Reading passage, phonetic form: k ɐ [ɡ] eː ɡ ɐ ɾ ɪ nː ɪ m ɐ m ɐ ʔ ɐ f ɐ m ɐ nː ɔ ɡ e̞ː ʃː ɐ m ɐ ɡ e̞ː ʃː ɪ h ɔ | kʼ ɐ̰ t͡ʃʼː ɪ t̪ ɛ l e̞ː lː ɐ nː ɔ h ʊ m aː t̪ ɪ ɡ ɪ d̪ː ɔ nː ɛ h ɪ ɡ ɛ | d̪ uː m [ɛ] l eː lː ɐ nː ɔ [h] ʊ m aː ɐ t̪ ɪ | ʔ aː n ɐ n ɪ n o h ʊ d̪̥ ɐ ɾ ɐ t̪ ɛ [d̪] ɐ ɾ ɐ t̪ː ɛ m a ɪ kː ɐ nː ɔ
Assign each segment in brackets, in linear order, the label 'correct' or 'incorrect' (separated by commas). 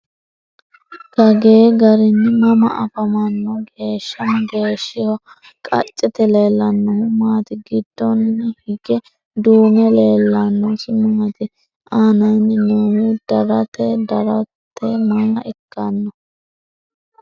correct, correct, incorrect, correct